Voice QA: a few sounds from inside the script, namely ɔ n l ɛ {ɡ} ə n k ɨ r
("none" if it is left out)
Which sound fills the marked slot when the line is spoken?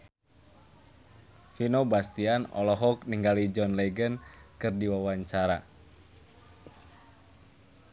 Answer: ɡ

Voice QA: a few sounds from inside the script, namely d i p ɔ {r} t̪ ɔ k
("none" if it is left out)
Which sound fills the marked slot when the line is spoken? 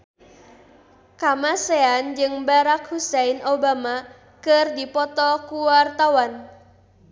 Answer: none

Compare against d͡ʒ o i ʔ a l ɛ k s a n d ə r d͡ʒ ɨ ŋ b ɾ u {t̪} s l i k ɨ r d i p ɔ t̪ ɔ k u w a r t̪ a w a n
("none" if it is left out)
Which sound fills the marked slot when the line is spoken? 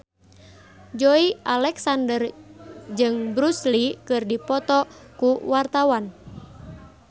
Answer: none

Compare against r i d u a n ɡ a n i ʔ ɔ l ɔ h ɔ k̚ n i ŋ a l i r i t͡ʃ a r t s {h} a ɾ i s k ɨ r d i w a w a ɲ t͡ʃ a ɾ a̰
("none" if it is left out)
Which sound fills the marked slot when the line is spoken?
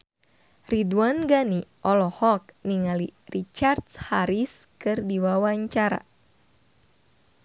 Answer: h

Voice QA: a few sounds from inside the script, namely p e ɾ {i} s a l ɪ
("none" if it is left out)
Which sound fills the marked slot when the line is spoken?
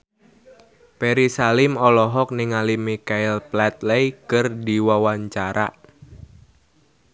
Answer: i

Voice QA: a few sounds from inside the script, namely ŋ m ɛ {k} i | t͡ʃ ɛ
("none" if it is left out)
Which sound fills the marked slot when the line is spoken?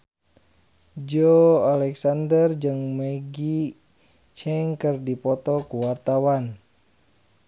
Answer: ɡ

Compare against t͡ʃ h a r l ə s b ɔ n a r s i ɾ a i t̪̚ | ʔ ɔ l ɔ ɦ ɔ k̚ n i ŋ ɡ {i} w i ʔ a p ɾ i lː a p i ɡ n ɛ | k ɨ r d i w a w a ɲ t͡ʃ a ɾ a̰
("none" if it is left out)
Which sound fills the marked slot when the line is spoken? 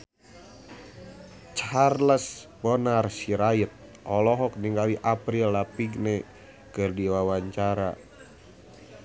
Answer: a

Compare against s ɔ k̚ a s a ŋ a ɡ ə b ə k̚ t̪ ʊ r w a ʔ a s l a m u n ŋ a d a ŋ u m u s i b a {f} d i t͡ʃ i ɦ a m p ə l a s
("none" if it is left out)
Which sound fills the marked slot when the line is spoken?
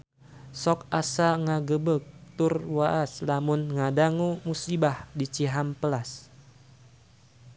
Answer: h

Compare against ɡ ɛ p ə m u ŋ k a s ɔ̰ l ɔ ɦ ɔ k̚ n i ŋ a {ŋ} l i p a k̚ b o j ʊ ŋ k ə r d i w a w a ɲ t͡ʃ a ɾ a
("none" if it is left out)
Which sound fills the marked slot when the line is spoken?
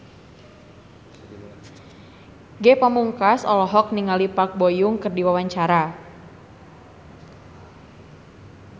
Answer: none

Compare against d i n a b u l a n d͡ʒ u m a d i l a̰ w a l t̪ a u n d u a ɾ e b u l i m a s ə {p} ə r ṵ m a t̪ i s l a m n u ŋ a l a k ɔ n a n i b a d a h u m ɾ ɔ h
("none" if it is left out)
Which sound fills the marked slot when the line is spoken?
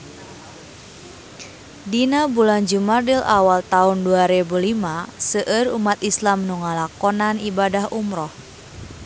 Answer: ʔ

